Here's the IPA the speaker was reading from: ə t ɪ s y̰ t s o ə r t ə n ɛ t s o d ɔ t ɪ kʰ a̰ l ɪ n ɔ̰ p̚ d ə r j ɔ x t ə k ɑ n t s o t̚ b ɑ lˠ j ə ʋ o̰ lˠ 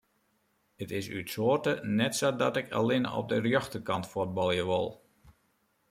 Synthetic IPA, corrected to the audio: ə t ɪ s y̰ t s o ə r t ə n ɛ t s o d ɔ t ɪ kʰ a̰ l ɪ n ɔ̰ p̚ d ə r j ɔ x t ə k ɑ n t f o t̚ b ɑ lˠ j ə ʋ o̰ lˠ